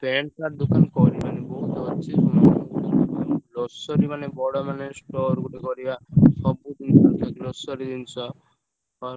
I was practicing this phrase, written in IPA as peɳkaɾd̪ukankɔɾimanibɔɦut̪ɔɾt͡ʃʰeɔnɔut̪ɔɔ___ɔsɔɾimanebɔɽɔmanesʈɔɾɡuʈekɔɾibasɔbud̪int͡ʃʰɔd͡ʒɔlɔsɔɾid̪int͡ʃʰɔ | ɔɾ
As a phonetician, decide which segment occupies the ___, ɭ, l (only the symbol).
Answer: l